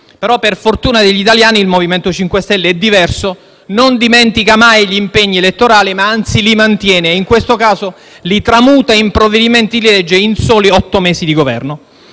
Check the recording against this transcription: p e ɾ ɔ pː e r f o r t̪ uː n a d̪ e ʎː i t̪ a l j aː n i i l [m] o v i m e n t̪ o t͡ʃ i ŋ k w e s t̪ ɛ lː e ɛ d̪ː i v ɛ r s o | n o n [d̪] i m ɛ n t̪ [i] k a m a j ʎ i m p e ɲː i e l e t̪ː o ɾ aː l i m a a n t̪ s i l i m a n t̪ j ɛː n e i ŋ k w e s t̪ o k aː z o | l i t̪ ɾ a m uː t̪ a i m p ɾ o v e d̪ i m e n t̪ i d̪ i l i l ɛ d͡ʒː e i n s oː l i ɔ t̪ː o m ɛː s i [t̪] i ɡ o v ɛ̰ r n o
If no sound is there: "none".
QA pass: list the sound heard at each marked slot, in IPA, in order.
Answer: m, d̪, i, d̪

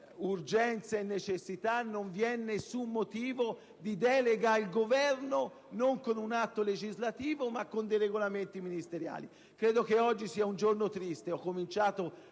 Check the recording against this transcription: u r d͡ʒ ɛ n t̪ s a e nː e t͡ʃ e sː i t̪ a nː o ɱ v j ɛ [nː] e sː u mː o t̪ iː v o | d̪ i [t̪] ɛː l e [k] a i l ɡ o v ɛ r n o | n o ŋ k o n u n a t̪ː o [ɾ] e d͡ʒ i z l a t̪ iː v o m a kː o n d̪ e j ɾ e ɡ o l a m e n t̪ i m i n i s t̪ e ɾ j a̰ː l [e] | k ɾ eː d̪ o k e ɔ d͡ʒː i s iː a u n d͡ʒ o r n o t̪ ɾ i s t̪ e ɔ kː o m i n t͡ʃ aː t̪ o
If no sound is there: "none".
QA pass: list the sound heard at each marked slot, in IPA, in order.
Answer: nː, d̪, ɡ, l, i

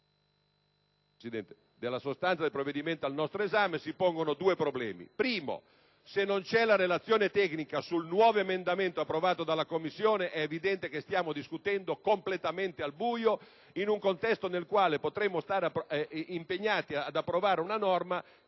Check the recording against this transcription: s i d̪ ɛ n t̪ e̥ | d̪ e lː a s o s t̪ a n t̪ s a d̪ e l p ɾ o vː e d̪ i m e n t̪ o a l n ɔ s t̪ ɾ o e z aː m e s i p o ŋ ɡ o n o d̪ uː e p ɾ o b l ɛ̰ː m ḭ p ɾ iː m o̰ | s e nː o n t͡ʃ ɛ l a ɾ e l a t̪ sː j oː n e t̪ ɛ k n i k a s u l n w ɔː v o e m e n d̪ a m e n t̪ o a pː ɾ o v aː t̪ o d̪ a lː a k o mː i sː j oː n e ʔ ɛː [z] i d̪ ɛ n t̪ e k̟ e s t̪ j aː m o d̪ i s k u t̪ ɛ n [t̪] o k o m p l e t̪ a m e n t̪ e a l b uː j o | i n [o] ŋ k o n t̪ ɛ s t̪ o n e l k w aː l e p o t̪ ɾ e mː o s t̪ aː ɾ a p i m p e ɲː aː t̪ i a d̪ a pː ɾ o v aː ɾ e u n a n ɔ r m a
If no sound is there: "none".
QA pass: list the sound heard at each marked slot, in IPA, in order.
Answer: v, d̪, u

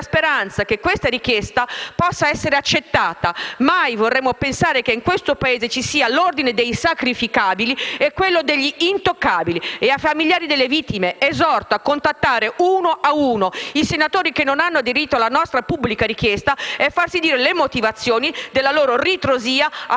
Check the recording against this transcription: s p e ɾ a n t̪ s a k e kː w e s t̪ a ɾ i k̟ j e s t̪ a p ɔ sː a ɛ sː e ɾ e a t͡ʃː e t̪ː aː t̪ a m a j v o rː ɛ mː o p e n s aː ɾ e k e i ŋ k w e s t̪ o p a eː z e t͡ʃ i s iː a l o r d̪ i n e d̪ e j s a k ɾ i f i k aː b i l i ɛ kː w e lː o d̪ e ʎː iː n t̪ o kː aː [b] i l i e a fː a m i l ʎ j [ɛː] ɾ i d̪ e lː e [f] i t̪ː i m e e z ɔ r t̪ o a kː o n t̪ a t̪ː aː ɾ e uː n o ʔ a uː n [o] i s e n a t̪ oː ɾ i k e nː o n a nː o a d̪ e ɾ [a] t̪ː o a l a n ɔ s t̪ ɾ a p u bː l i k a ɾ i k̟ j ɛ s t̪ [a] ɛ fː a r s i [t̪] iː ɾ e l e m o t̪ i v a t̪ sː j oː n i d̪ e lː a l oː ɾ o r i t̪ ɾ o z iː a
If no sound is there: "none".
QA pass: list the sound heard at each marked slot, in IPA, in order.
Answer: b, aː, v, o, i, a, d̪

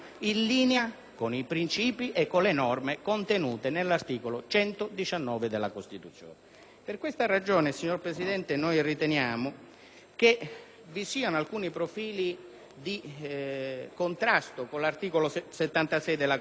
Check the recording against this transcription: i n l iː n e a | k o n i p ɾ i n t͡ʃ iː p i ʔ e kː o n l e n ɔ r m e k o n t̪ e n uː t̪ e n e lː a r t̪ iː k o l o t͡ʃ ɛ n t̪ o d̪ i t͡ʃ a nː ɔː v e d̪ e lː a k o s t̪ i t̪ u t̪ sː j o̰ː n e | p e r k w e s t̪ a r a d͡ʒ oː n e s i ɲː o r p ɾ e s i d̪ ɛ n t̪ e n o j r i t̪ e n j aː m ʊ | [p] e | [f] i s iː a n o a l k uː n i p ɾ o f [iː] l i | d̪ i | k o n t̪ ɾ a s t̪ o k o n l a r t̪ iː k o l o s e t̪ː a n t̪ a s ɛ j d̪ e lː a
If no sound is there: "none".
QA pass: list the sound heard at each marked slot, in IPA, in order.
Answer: k, v, iː

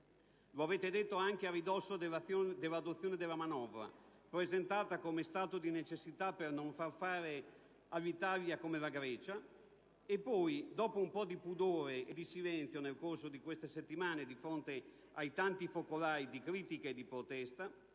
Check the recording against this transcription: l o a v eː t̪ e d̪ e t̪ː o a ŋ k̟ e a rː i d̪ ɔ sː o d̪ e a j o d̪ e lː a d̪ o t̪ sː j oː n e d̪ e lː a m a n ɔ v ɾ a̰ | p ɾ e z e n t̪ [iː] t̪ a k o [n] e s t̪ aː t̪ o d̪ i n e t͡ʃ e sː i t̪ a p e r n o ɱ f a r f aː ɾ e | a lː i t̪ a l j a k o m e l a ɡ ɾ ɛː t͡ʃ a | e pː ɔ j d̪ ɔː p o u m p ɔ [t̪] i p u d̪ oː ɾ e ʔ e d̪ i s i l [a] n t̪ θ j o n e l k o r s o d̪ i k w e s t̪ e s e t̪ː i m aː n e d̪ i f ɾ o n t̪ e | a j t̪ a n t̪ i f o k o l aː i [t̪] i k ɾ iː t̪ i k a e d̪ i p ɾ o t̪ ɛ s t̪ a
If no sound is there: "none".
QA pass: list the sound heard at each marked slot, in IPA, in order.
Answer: aː, m, d̪, ɛ, d̪

